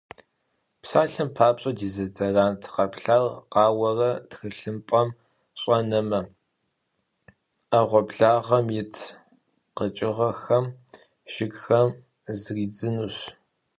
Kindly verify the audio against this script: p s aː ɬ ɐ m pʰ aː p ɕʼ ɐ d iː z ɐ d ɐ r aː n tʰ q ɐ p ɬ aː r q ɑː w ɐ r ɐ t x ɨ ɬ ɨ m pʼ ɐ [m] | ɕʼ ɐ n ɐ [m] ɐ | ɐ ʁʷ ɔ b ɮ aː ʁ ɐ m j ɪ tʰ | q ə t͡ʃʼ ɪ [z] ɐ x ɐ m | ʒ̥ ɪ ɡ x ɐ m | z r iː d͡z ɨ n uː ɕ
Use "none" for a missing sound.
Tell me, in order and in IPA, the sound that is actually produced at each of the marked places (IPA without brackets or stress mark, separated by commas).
m, m, ʁ